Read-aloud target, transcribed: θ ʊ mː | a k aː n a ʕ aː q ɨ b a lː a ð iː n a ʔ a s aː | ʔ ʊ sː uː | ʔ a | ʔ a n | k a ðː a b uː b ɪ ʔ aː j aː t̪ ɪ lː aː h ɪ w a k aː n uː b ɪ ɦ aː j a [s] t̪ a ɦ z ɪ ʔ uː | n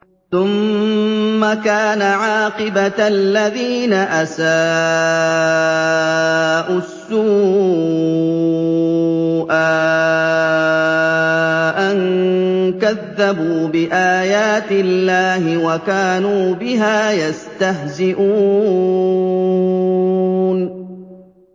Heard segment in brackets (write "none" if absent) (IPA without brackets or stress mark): s